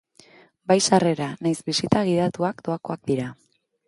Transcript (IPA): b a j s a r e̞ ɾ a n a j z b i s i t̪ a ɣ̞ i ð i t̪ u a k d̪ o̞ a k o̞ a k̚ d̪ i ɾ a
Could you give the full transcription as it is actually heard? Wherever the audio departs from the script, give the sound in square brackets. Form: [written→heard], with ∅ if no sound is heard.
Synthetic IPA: b a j s a r e̞ ɾ a n a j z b i s i t̪ a ɣ̞ i ð [i→a] t̪ u a k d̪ o̞ a k o̞ a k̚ d̪ i ɾ a